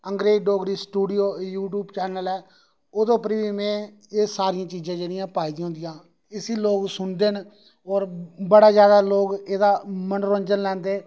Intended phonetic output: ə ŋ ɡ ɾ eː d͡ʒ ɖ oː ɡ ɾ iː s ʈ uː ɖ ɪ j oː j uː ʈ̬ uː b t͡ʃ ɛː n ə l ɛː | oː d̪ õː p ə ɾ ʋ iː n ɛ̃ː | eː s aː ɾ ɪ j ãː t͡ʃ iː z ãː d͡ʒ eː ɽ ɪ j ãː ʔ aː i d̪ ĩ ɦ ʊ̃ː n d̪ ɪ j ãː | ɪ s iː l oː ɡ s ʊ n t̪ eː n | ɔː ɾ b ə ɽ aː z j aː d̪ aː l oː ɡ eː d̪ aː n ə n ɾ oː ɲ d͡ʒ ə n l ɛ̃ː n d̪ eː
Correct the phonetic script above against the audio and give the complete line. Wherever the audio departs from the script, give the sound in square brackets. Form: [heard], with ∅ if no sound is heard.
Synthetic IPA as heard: ə ŋ ɡ ɾ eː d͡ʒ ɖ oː ɡ ɾ iː s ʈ uː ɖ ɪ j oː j uː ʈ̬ uː b t͡ʃ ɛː n ə l ɛː | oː d̪ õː p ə ɾ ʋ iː [m] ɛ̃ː | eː s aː ɾ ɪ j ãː t͡ʃ iː z ãː d͡ʒ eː ɽ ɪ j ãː [p] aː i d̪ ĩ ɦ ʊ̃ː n d̪ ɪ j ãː | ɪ s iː l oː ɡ s ʊ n [d̪] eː n | ɔː ɾ b ə ɽ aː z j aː d̪ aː l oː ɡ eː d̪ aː [m] ə n ɾ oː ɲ d͡ʒ ə n l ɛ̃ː n d̪ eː